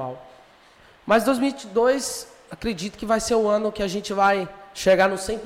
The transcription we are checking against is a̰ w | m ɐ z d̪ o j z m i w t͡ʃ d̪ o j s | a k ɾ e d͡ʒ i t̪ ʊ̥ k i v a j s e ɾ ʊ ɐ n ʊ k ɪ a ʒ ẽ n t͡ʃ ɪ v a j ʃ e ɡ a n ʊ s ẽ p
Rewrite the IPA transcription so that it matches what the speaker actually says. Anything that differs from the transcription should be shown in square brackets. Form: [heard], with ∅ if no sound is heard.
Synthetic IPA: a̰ w | m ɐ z d̪ o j z m i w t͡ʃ d̪ o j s | a k ɾ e d͡ʒ i t̪ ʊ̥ k [ɪ] v a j s e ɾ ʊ [ɐ̃] n ʊ k ɪ a ʒ ẽ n t͡ʃ ɪ v a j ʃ e ɡ a n ʊ s ẽ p